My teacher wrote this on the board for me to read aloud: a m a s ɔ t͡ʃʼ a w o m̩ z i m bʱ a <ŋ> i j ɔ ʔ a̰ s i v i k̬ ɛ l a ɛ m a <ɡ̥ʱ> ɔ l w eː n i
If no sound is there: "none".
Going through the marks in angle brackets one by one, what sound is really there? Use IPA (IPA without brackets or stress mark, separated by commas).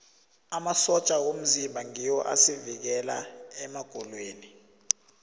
ŋ, ɡ̥ʱ